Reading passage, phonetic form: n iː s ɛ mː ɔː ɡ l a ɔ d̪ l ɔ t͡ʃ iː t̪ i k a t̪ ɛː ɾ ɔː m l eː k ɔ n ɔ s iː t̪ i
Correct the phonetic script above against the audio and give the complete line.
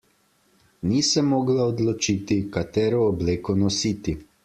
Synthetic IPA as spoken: n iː s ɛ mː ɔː ɡ l a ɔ d̪ l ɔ t͡ʃ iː t̪ i k a t̪ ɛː ɾ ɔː b l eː k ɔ n ɔ s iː t̪ i